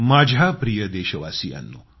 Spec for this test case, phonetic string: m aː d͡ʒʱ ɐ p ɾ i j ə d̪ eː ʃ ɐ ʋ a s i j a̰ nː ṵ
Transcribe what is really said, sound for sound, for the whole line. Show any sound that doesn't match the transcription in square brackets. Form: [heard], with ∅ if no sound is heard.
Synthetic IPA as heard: m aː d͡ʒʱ [a] p ɾ i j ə d̪ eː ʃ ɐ ʋ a s i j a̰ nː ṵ

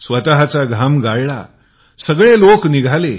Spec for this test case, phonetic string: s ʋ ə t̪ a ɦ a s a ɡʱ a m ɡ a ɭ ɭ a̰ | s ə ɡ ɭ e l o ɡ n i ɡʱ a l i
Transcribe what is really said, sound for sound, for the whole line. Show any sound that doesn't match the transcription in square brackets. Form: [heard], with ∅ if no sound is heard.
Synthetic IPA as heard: s ʋ ə t̪ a ɦ a [t͡s] a ɡʱ a m ɡ a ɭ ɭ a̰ | s ə ɡ ɭ e l o [k] n i ɡʱ a l [e]

